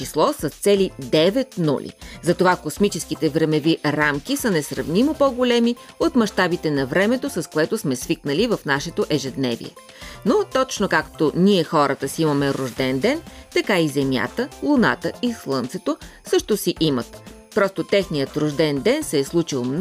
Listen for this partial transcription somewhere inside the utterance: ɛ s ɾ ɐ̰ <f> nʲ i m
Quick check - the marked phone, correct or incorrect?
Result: incorrect